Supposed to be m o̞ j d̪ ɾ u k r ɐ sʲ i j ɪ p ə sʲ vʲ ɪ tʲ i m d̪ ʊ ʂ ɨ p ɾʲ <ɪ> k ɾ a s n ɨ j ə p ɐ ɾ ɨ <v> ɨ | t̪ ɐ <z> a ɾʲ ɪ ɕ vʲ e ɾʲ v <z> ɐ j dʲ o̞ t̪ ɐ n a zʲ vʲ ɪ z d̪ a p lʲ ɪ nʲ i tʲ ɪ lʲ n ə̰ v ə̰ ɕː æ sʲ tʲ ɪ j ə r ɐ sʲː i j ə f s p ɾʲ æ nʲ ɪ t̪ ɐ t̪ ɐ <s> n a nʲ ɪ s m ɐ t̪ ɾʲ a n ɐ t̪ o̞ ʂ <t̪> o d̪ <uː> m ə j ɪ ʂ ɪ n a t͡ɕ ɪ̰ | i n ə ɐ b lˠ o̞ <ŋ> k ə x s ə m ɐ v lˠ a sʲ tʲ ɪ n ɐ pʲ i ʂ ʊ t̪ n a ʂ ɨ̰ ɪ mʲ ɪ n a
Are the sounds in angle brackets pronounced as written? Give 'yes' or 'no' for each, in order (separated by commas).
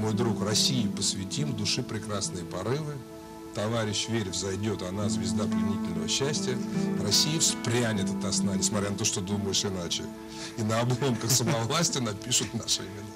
yes, yes, no, yes, yes, yes, no, no